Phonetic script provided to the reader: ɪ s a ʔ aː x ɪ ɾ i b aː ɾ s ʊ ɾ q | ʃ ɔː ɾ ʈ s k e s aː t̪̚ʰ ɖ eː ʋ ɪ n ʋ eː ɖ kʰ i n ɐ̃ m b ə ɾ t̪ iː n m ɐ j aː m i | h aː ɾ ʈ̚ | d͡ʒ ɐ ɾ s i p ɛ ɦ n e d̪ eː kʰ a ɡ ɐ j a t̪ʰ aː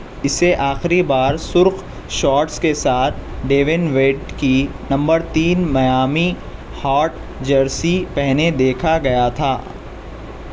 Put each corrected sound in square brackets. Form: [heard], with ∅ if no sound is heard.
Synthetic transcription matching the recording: ɪ s [e] ʔ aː x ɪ ɾ i b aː ɾ s ʊ ɾ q | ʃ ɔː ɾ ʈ s k e s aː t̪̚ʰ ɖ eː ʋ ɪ n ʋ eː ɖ [k] i n ɐ̃ m b ə ɾ t̪ iː n m ɐ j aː m i | h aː ɾ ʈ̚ | d͡ʒ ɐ ɾ s i p ɛ ɦ n e d̪ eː kʰ a ɡ ɐ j a t̪ʰ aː